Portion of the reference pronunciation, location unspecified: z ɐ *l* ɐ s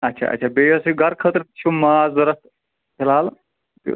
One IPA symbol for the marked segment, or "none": ɾ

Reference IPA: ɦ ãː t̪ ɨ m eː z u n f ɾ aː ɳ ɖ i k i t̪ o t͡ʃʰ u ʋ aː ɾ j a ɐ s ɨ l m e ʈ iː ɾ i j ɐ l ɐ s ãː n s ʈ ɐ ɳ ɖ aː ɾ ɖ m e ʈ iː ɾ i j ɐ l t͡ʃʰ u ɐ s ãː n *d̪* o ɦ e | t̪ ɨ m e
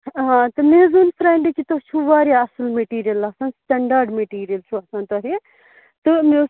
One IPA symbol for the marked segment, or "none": t̪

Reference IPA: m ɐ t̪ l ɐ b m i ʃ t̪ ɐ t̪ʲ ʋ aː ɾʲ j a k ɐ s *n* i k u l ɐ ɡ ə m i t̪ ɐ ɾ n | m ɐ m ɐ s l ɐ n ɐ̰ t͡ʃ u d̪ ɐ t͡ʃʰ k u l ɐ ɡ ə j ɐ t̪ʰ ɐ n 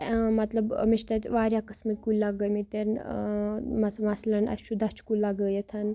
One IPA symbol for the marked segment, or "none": m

